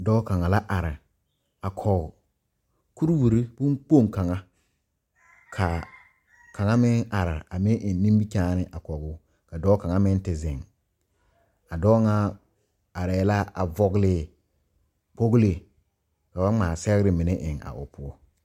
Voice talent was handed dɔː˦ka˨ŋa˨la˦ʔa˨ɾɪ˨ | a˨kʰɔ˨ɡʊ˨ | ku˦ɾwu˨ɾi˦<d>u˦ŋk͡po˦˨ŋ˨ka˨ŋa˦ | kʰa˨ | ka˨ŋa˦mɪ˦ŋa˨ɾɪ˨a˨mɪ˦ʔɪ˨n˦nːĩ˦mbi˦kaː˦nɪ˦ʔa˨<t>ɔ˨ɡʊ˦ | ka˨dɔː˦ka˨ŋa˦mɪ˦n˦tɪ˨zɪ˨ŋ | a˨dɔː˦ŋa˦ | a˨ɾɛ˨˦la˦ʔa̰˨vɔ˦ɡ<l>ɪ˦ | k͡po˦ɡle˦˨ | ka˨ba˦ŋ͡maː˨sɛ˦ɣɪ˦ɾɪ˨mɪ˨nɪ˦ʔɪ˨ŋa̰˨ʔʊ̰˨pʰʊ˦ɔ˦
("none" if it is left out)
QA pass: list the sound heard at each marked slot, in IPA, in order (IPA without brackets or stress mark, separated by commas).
b, k, l